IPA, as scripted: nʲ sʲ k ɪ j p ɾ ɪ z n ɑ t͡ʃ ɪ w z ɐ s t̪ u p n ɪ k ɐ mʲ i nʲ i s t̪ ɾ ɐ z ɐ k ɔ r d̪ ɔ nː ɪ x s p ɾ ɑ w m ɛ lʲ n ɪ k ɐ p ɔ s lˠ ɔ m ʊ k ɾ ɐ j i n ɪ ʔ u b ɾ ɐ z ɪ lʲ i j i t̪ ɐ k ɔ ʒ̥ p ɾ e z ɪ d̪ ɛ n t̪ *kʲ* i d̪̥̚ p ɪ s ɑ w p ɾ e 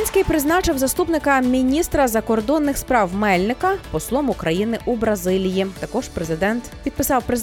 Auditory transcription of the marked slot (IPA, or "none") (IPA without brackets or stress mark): pʲ